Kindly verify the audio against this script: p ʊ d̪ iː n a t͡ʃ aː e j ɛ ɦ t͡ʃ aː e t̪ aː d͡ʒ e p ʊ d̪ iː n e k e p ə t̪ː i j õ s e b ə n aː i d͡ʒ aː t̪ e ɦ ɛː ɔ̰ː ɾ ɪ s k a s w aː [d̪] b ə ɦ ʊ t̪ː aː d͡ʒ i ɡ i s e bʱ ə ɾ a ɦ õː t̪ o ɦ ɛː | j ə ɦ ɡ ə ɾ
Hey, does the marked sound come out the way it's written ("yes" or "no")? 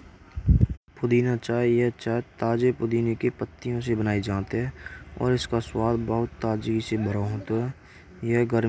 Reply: yes